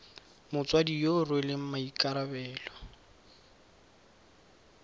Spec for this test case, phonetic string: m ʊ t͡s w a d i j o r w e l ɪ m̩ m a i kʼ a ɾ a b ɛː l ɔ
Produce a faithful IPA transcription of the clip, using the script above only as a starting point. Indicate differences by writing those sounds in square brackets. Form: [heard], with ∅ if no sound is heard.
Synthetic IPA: m ʊ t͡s w a d i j o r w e l ɪ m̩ m a i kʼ a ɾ a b ɛː l ɔ